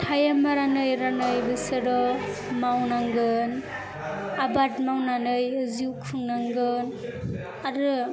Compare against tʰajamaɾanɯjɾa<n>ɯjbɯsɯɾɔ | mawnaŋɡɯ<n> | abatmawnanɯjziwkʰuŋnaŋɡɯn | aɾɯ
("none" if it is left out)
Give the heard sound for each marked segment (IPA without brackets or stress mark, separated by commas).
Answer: n, n